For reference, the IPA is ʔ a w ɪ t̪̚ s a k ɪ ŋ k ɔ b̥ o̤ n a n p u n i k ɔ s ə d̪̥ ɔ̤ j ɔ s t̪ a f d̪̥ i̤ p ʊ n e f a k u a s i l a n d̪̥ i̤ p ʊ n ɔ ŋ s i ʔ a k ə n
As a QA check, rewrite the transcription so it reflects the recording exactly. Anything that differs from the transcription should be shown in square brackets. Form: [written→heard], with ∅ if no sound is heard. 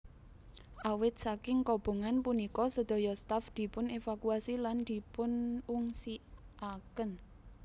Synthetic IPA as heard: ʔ a w ɪ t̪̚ s a k ɪ ŋ k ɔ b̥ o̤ [n→ŋ] a n p u n i k ɔ s ə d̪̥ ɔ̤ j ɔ s t̪ a f d̪̥ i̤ p ʊ n e f a k u a s i l a n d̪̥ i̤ p ʊ n [ɔ→u] ŋ s i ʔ a k ə n